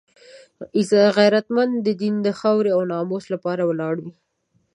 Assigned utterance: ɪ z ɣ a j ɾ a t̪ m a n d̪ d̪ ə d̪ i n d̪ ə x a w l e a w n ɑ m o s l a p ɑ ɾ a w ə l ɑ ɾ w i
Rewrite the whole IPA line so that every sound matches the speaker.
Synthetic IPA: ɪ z ɣ a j ɾ a t̪ m a n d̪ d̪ ə d̪ i n d̪ ə x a w ɾ e a w n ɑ m o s l a p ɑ ɾ a w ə l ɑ ɽ w i